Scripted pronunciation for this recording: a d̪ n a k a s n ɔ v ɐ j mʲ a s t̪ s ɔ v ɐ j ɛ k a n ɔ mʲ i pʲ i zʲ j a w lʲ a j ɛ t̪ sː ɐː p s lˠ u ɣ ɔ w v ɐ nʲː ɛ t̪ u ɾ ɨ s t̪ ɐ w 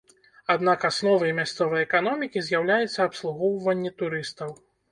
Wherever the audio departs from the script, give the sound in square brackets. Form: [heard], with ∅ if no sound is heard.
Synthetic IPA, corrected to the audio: a d̪ n a k a s n ɔ v ɐ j mʲ a s t̪ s ɔ v ɐ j ɛ k a n ɔ mʲ i [kʲ] i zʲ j a w lʲ a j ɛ t̪ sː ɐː p s lˠ u ɣ ɔ w v ɐ nʲː ɛ t̪ u ɾ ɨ s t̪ ɐ w